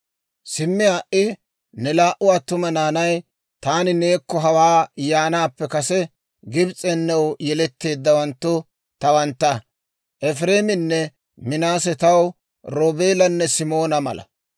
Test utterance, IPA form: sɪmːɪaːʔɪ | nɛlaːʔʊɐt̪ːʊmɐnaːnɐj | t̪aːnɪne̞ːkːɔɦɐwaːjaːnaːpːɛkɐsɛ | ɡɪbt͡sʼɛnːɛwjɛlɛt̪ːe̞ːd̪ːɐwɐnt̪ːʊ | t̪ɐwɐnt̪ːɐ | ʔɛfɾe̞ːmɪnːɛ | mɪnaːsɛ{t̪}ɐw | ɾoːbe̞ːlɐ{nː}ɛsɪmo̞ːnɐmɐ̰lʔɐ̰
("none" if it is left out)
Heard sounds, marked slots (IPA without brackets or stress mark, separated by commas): t̪, nː